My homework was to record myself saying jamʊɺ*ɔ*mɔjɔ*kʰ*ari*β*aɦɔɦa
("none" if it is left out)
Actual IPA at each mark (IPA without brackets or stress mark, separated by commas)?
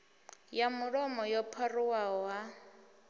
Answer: ɔ, pʰ, w